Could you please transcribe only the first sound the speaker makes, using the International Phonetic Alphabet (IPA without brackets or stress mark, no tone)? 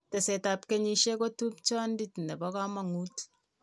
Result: t